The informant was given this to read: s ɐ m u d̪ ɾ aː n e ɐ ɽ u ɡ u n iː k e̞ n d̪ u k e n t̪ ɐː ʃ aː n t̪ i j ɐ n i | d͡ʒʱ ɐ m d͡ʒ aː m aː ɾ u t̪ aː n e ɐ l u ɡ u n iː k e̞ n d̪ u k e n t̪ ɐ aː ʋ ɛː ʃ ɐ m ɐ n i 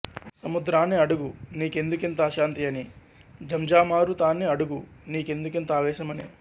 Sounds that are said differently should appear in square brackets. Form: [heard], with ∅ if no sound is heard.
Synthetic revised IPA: s ɐ m u d̪ ɾ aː n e ɐ ɽ u ɡ u n iː k e̞ n d̪ u k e n t̪ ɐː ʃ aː n t̪ i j ɐ n i | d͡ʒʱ ɐ m d͡ʒ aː m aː ɾ u t̪ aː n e ɐ [ɽ] u ɡ u n iː k e̞ n d̪ u k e n t̪ ɐ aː ʋ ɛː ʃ ɐ m ɐ n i